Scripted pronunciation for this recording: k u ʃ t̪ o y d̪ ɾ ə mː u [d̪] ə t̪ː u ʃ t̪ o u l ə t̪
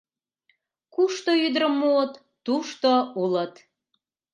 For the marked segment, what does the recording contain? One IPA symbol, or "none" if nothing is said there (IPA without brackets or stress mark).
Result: none